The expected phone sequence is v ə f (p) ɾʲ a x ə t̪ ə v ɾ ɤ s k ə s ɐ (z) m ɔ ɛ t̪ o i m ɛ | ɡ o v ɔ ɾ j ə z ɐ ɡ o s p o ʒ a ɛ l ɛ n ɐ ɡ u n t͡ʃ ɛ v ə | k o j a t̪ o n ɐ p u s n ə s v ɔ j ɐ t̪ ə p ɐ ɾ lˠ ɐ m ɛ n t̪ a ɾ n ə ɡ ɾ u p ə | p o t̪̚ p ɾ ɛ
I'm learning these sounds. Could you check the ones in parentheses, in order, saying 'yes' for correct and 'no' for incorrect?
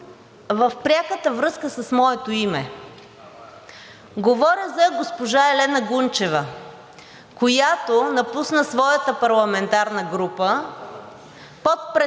yes, no

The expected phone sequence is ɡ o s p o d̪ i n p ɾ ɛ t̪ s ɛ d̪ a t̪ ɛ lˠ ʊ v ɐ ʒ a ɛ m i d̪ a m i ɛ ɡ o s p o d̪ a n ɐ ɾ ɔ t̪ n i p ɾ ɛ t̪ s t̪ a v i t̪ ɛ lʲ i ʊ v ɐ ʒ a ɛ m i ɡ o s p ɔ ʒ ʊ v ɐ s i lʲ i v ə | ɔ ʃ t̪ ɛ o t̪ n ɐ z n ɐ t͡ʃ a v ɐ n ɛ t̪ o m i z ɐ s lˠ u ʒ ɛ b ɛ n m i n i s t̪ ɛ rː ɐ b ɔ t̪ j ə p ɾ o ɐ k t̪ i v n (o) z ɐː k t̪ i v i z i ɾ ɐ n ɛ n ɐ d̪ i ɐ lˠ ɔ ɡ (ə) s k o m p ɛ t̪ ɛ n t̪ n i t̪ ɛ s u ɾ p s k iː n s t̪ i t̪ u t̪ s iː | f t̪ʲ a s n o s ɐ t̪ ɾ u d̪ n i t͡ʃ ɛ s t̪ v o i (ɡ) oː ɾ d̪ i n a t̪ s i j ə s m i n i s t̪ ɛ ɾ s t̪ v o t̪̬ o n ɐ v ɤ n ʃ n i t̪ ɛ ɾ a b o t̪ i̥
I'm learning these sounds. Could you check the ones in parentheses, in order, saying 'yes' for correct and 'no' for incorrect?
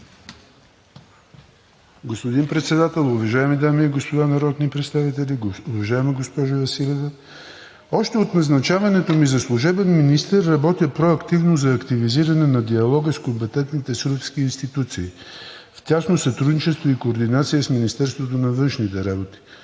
yes, yes, no

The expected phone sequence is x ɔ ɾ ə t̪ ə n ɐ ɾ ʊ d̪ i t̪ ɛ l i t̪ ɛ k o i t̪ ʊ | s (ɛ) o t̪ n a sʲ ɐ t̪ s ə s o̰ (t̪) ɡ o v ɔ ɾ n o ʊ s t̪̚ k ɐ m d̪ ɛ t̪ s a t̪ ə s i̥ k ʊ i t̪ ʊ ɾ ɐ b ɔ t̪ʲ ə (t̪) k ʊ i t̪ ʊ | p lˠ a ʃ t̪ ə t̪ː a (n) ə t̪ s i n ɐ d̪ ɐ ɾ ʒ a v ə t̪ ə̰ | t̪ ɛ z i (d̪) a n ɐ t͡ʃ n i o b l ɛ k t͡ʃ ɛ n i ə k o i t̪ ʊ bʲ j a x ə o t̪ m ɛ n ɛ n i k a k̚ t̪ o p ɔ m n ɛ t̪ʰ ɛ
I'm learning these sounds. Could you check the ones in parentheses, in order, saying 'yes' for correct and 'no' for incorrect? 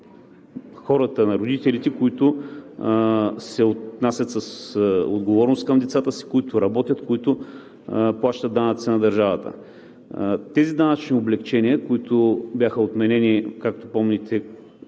yes, no, yes, yes, yes

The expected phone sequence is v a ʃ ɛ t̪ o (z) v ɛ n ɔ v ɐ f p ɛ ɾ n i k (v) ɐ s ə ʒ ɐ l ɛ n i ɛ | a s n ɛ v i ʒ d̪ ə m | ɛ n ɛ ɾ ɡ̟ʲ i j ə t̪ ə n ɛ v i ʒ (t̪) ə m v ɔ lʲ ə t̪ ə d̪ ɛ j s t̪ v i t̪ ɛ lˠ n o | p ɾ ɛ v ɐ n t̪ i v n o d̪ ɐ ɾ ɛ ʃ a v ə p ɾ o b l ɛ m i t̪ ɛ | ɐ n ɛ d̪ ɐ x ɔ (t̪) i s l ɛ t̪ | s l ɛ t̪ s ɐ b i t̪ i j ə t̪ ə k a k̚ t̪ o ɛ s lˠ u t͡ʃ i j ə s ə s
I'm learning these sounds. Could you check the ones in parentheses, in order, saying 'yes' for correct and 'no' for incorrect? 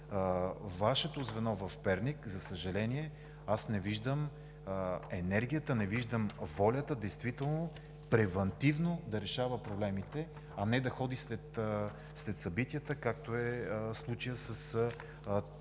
yes, no, no, no

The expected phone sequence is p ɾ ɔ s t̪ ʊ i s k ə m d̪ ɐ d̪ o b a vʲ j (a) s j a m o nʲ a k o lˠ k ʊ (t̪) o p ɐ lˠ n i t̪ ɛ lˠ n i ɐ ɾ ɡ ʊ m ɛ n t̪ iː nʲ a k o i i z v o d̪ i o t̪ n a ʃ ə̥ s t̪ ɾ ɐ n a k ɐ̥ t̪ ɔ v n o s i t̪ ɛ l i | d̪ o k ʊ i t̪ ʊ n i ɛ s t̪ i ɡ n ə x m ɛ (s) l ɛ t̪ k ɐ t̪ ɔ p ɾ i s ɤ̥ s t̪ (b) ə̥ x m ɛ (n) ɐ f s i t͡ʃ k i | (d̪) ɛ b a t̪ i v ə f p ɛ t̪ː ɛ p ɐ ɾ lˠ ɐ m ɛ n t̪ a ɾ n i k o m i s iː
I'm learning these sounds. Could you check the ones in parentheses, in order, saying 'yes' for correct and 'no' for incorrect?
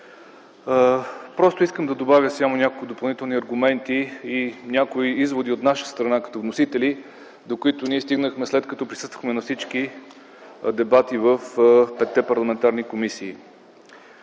no, no, yes, no, yes, yes

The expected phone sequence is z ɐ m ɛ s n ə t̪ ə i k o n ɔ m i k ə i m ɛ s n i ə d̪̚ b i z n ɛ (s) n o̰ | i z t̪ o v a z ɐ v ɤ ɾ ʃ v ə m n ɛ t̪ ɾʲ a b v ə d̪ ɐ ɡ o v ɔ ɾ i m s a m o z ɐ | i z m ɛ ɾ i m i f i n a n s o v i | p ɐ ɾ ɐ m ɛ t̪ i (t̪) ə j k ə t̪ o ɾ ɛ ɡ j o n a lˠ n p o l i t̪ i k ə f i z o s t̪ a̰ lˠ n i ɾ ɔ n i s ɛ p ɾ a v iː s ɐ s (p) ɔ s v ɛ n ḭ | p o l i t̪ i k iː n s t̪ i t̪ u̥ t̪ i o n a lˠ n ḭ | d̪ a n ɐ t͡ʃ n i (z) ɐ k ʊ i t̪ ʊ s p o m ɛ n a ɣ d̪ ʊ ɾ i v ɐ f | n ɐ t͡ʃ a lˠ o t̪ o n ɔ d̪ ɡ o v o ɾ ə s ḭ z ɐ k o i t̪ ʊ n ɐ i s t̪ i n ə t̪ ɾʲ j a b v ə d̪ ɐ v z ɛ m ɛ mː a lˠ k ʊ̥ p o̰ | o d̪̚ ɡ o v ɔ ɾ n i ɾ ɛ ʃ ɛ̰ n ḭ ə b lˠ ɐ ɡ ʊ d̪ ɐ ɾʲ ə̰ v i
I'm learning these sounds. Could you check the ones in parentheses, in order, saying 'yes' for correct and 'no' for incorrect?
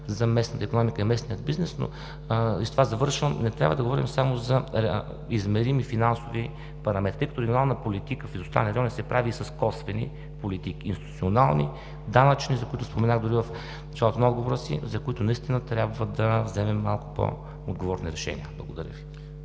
yes, yes, no, yes

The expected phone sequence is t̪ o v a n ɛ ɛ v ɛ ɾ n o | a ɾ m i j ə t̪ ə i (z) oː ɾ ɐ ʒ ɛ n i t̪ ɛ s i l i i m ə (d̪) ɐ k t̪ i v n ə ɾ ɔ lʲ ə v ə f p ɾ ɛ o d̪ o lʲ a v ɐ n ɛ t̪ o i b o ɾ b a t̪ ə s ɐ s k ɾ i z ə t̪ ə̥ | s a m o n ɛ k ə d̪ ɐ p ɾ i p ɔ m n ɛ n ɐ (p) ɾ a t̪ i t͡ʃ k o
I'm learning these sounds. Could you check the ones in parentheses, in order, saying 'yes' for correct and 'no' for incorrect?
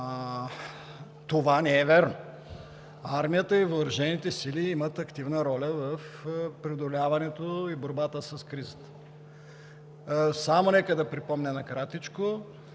no, no, no

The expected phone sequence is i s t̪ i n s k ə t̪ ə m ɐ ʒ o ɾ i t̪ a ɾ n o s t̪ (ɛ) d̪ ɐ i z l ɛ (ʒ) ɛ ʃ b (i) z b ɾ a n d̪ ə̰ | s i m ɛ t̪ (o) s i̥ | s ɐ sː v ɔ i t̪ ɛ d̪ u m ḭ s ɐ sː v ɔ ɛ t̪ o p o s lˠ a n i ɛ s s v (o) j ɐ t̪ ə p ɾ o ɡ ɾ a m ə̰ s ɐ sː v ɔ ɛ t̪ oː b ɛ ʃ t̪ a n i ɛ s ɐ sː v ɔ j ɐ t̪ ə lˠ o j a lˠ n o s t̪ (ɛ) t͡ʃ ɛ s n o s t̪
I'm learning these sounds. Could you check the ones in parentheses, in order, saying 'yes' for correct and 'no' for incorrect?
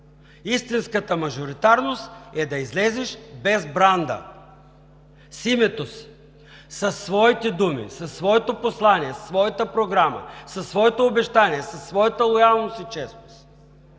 yes, no, no, yes, no, no

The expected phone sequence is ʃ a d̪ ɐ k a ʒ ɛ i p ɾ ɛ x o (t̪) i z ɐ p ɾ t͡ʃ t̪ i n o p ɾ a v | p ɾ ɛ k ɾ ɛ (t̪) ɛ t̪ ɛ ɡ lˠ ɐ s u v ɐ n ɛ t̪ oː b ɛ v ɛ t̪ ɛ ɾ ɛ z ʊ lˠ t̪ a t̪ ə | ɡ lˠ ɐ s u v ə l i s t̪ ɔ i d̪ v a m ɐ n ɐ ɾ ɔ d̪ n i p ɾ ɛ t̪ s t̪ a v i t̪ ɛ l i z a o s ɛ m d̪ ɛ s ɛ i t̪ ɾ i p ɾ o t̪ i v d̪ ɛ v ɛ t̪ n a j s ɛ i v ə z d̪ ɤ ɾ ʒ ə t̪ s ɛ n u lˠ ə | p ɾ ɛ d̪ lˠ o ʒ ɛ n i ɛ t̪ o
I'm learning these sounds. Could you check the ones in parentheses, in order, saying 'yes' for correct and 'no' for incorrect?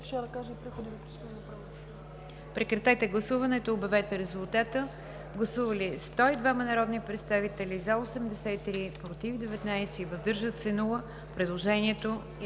no, yes

